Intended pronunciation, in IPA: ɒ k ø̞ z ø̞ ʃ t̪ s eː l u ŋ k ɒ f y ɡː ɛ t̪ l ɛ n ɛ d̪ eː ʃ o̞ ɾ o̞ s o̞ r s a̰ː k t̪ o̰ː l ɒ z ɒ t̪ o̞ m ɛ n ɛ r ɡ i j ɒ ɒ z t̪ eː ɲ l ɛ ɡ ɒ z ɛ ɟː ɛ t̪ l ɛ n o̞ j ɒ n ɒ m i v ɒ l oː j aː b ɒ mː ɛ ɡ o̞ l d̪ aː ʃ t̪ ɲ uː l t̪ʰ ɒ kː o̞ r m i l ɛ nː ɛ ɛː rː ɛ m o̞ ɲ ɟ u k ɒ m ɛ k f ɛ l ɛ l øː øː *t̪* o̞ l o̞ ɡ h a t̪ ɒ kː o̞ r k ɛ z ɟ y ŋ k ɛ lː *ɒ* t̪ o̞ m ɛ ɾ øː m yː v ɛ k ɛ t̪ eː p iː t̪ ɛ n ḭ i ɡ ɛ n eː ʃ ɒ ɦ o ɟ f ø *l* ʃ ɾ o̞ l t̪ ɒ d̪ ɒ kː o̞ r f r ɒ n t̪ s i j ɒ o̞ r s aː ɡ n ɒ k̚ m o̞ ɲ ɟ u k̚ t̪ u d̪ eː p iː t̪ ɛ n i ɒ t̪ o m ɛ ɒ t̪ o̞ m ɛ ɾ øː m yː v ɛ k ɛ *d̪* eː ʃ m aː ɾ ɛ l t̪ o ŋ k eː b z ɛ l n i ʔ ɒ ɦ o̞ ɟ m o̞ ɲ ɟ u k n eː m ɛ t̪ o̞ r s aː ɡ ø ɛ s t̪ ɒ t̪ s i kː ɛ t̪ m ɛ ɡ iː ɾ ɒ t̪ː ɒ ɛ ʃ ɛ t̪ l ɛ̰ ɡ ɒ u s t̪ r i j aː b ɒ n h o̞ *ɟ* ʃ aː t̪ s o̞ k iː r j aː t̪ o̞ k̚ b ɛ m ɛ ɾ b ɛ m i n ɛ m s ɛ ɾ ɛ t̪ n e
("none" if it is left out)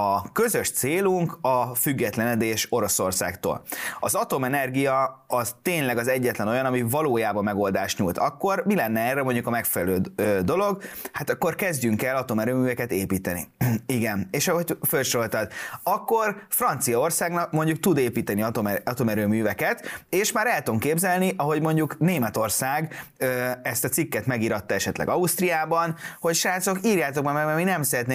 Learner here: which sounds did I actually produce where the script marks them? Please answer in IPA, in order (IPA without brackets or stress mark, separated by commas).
d̪, ɒ, l, t̪, c